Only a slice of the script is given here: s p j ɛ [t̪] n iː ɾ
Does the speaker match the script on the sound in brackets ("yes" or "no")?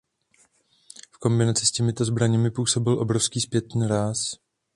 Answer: yes